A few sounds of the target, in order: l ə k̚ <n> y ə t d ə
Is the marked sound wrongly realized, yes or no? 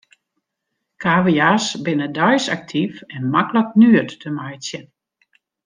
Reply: no